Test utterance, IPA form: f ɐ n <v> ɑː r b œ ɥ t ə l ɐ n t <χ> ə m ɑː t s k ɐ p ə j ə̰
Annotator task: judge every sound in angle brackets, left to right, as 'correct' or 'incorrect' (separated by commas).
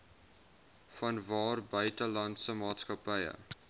correct, incorrect